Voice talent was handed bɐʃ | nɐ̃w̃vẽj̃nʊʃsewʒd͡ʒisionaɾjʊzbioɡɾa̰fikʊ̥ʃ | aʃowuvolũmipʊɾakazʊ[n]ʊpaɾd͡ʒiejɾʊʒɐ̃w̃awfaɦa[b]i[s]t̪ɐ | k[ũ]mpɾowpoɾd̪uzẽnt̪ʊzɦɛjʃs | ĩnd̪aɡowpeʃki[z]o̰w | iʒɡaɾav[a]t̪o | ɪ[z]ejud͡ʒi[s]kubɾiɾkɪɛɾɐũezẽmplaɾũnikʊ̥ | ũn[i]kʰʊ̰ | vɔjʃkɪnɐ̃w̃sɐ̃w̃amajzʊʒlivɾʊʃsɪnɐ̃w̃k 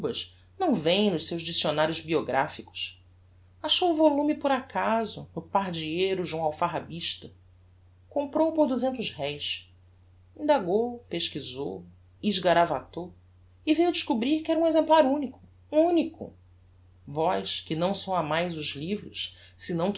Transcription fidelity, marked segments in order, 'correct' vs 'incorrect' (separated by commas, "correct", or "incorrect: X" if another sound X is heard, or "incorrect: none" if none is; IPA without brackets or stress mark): correct, correct, incorrect: ʃ, incorrect: õ, correct, correct, incorrect: v, incorrect: ʃ, correct